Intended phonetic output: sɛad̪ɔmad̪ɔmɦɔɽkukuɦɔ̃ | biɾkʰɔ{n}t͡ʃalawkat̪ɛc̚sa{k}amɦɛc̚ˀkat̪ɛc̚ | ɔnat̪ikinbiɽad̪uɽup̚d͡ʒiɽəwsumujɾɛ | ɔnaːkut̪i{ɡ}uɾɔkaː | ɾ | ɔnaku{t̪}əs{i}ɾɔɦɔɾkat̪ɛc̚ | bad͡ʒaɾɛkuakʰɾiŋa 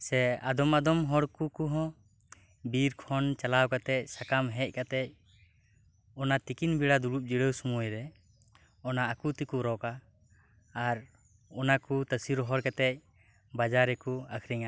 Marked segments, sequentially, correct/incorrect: correct, correct, incorrect: k, correct, correct

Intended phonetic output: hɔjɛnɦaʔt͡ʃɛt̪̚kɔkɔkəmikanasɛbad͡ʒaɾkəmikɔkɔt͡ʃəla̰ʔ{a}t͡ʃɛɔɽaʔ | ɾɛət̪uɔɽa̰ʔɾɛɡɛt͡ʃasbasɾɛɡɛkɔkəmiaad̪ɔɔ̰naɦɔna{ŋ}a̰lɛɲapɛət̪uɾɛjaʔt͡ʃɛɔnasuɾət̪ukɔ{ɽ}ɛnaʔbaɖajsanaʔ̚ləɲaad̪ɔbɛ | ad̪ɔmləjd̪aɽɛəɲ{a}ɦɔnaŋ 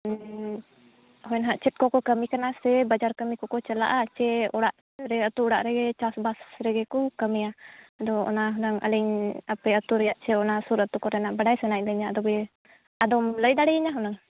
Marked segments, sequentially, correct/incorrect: correct, correct, incorrect: ɾ, correct

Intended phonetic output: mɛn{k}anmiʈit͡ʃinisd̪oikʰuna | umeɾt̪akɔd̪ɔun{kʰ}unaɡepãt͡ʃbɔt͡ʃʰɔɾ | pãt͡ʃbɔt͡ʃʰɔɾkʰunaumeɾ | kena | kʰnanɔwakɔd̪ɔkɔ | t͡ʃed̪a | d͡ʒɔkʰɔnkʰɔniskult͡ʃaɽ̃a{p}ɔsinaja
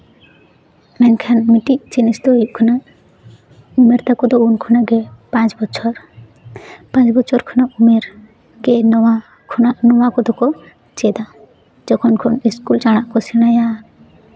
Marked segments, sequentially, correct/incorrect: incorrect: kʰ, correct, incorrect: k

